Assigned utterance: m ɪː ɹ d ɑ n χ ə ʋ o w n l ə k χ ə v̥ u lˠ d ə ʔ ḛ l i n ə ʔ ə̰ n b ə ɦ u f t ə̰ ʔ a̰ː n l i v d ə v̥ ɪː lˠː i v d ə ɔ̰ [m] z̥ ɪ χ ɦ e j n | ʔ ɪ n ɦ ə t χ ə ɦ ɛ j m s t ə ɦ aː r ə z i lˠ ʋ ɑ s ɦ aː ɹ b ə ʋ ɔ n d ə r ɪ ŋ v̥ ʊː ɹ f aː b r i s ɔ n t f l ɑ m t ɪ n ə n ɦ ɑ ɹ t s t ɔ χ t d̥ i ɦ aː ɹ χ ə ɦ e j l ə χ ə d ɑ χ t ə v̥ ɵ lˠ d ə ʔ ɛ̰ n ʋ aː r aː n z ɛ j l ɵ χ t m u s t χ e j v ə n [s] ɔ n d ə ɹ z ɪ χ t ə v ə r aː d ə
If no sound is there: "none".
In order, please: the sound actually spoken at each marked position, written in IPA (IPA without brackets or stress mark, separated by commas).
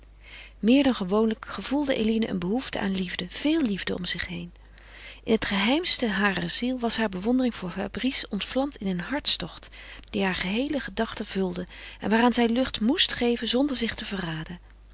m, z